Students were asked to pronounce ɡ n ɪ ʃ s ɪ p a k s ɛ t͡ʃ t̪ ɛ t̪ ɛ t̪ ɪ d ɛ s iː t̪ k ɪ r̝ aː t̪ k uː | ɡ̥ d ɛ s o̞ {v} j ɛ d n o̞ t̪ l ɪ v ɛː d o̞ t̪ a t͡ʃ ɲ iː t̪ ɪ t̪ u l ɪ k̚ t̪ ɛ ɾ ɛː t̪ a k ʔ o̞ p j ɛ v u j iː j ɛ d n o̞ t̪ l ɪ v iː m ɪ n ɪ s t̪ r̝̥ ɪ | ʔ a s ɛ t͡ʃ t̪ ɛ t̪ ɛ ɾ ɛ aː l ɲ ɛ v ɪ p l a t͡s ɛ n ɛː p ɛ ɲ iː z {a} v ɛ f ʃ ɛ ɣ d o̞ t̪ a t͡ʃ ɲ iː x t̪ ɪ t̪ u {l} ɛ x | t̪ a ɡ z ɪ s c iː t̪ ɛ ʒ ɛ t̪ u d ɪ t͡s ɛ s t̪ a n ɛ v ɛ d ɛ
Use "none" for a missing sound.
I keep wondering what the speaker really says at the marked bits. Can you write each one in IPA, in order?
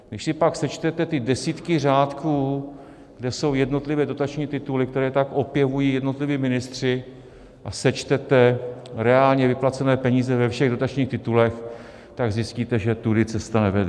w, ɛ, l

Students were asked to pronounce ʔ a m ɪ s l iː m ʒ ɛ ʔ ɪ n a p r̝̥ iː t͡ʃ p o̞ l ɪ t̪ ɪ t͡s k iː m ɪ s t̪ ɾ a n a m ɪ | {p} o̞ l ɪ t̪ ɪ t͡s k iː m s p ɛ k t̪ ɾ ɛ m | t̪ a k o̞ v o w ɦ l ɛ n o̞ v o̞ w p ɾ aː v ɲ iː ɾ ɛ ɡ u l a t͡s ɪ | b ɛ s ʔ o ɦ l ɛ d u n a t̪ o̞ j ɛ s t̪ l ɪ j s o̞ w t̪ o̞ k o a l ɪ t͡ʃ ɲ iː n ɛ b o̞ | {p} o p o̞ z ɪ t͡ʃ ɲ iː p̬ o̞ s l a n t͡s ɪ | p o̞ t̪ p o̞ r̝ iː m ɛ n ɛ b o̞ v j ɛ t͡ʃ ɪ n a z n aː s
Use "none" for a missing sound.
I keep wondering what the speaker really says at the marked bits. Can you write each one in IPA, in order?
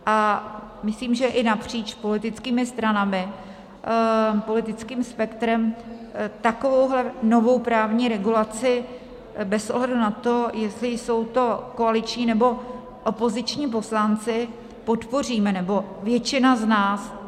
p, ʔ

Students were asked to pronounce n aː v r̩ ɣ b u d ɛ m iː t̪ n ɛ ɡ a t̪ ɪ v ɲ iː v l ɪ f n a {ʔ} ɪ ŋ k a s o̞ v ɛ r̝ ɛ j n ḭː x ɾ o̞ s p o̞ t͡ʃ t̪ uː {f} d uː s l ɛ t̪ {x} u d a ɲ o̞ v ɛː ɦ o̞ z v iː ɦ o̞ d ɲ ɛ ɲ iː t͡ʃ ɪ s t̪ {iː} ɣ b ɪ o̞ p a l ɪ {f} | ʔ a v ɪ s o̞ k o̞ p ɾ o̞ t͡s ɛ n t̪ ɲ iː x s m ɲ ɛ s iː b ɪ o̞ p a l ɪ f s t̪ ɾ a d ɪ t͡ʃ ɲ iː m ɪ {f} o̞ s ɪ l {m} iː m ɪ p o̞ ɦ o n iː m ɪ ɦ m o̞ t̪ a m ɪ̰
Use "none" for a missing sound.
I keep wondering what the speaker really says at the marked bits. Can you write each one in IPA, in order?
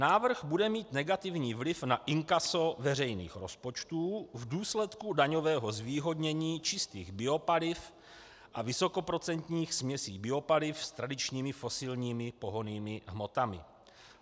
ʔ, v, k, iː, f, f, ɲ

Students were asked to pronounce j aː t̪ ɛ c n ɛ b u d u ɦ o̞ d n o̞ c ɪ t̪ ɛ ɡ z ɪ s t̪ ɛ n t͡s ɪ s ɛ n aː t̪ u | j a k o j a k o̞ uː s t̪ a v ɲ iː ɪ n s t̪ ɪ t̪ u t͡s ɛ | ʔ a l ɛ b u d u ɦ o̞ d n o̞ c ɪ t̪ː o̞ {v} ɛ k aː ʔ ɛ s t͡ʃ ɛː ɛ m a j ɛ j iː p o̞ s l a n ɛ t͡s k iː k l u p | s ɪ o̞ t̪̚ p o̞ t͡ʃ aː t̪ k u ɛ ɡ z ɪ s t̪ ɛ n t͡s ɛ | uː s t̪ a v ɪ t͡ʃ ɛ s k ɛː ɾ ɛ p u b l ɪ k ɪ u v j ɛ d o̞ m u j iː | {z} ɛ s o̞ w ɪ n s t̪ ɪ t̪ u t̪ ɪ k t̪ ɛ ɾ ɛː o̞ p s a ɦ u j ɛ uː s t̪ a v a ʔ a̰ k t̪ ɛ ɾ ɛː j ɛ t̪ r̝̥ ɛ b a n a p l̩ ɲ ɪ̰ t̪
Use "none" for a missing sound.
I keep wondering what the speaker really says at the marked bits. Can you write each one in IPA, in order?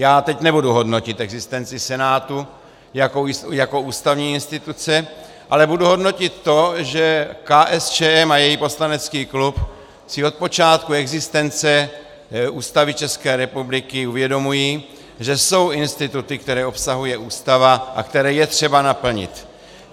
ʒ, ʒ

